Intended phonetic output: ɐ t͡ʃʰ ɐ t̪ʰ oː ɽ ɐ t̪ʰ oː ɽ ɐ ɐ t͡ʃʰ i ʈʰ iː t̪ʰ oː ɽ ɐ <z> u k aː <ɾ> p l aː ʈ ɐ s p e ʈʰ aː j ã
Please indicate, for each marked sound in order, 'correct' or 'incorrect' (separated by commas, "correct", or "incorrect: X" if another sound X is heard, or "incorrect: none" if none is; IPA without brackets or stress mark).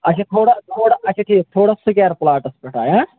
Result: incorrect: s, correct